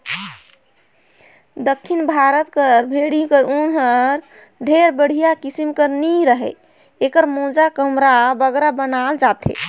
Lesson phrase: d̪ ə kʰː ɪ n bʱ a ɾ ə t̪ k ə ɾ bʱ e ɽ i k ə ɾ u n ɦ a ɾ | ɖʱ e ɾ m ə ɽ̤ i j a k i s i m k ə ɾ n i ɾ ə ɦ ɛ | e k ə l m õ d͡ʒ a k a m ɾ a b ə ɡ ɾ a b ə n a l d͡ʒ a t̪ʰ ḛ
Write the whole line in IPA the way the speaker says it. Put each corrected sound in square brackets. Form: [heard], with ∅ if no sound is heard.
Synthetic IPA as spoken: d̪ ə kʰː [i] n bʱ a ɾ ə t̪ k ə ɾ bʱ e ɽ i k ə ɾ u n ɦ [ə] ɾ | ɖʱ e ɾ [b] ə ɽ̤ i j a k i s i m k ə ɾ n i ɾ ə ɦ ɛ | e k ə [ɾ] m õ d͡ʒ a k [ə] m ɾ a b ə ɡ ɾ a b ə n a l d͡ʒ a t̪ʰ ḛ